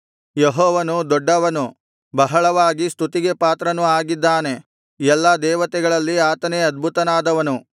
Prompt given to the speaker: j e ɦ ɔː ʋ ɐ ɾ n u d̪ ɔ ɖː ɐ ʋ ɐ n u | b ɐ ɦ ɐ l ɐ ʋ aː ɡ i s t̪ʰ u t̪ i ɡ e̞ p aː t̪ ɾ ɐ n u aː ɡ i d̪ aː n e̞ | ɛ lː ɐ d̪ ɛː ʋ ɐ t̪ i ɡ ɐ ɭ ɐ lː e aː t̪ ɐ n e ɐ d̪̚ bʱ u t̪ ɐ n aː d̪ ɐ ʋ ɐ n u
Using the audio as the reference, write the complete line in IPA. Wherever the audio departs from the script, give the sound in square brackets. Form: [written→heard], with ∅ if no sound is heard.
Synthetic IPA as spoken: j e ɦ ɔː ʋ ɐ [ɾ→∅] n u d̪ ɔ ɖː ɐ ʋ ɐ n u | b ɐ ɦ ɐ [l→ɭ] ɐ ʋ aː ɡ i s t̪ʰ u t̪ i ɡ e̞ p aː t̪ ɾ ɐ n u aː ɡ i [d̪→d̪ː] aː n e̞ | ɛ lː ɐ d̪ ɛː ʋ ɐ t̪ [i→ɛ] ɡ ɐ ɭ ɐ lː [e→i] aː t̪ ɐ n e ɐ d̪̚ bʱ u t̪ ɐ n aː d̪ ɐ ʋ ɐ n u